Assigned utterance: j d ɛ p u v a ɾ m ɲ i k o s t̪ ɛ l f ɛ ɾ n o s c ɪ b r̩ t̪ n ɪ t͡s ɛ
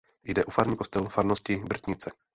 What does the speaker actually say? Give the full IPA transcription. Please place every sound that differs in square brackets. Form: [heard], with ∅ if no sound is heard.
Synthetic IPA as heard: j d ɛ [ʔ] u [f] a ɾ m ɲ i k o s t̪ ɛ l f [a] ɾ n o s c ɪ b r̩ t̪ [ɲ] ɪ t͡s ɛ